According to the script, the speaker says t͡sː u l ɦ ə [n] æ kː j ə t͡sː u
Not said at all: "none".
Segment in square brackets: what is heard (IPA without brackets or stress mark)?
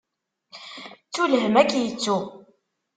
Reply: m